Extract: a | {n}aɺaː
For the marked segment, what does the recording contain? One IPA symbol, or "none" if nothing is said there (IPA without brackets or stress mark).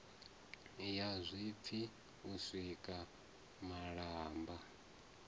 m